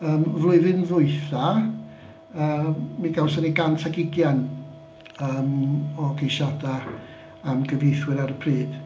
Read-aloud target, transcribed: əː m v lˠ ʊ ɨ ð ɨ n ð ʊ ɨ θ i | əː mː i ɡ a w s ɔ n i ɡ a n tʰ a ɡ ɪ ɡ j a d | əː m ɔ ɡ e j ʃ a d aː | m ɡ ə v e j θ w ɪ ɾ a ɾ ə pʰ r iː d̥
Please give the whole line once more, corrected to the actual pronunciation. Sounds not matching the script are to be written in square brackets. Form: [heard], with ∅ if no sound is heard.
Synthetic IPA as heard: əː m v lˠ ʊ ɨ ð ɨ n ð ʊ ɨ θ [a] | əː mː i ɡ a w s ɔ n i ɡ a n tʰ a ɡ ɪ ɡ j a [n] | əː m ɔ ɡ e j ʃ a d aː | m ɡ ə v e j θ w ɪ ɾ a ɾ ə pʰ r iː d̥